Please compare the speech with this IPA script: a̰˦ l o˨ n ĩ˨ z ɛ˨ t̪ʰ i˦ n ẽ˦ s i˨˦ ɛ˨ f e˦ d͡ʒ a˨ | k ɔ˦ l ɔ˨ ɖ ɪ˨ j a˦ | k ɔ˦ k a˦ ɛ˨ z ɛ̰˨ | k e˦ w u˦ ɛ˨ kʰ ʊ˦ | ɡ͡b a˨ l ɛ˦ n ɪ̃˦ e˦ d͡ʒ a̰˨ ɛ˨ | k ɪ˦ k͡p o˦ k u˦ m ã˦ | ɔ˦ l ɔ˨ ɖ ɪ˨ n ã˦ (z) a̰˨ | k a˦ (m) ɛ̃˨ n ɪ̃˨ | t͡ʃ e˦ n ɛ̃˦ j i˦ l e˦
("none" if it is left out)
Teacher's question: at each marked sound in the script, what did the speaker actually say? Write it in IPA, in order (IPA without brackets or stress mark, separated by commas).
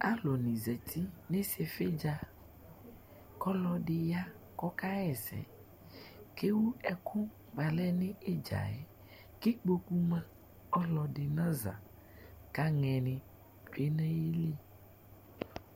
z, ŋ